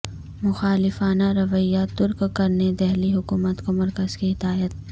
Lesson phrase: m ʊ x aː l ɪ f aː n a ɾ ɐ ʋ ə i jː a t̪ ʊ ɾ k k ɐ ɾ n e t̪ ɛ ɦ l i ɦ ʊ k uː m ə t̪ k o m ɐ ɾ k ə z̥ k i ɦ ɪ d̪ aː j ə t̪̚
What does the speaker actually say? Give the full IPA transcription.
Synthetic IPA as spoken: m ʊ x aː l ɪ f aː n a ɾ ɐ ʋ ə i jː a t̪ ʊ ɾ k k ɐ ɾ n e d̪ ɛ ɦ l i ɦ ʊ k uː m ə t̪ k o m ɐ ɾ k ə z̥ k i ɦ ɪ d̪ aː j ə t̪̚